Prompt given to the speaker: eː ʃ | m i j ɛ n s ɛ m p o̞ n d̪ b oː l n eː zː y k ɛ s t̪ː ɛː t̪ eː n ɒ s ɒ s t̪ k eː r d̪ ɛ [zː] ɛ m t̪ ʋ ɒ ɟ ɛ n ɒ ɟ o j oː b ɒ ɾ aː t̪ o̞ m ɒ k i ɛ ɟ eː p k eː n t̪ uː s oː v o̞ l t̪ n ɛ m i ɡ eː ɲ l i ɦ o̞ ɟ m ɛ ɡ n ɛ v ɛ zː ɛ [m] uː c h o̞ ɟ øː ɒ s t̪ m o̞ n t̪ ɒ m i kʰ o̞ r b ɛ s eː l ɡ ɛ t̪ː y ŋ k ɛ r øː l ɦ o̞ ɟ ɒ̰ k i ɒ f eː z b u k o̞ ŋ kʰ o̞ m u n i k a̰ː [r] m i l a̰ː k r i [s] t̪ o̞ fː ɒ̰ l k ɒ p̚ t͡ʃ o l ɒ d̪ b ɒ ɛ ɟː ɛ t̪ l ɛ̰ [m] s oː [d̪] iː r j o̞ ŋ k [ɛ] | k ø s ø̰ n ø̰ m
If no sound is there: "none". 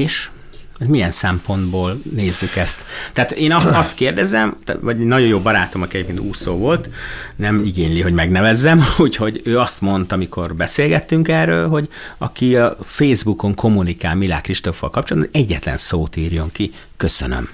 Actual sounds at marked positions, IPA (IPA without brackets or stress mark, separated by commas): z, m, l, ʃ, n, t̪, i